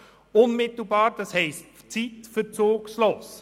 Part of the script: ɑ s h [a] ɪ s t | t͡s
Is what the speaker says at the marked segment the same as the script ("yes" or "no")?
no